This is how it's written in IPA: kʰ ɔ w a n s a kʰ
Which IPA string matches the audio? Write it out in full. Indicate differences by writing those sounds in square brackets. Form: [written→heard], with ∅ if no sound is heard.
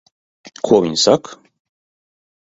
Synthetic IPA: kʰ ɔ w [a→i] n s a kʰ